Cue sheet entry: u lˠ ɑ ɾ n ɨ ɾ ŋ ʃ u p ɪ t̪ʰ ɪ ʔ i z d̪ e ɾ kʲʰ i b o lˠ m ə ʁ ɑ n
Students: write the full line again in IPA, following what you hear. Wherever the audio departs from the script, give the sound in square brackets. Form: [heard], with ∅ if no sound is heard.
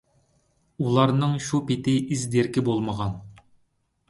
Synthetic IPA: u lˠ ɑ ɾ n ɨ [∅] ŋ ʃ u p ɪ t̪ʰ ɪ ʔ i z d̪ e ɾ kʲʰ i b o lˠ m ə ʁ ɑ n